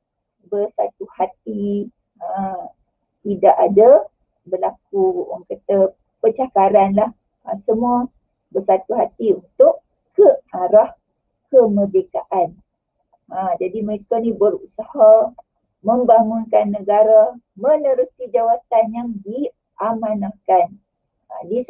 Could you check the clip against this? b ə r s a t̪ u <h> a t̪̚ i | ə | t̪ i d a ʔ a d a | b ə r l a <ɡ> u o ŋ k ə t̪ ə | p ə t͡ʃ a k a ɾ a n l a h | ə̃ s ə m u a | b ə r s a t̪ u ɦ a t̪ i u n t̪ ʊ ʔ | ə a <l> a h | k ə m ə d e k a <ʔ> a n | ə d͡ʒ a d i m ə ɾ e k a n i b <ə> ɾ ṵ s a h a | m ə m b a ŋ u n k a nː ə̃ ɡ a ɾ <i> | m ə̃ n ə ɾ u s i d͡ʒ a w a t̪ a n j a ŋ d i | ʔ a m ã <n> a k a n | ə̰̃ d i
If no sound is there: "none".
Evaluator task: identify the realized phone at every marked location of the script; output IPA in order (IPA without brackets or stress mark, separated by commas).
h, k, ɾ, ʔ, ə, a, n